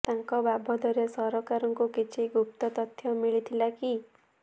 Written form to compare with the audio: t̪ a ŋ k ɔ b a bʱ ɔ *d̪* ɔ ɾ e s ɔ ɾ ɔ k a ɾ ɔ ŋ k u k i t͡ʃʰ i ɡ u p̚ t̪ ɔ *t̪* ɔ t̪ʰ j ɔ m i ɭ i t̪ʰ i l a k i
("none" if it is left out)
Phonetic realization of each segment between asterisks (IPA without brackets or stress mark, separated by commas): d̪, t̪